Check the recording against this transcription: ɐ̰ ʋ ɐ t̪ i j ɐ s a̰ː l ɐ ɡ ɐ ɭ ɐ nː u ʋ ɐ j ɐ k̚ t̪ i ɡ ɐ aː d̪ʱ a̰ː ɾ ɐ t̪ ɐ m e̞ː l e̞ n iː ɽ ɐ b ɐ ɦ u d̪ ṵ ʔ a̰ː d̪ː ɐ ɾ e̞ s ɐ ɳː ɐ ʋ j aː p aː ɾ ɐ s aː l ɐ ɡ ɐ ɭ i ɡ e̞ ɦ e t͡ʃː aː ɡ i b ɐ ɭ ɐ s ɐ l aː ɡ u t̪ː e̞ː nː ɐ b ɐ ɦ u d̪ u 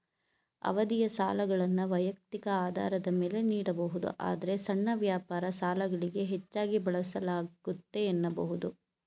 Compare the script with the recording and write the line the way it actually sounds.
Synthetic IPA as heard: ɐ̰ ʋ ɐ d̪ i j ɐ s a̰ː l ɐ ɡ ɐ ɭ ɐ nː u ʋ ɐ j ɐ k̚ t̪ i k ɐ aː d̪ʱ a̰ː ɾ ɐ d̪ ɐ m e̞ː l e̞ n iː ɽ ɐ b ɐ ɦ u d̪ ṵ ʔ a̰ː d̪ ɐ ɾ e̞ s ɐ ɳː ɐ ʋ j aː p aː ɾ ɐ s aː l ɐ ɡ ɐ ɭ i ɡ e̞ ɦ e t͡ʃː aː ɡ i b ɐ ɭ ɐ s ɐ l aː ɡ u t̪ː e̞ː nː ɐ b ɐ ɦ u d̪ u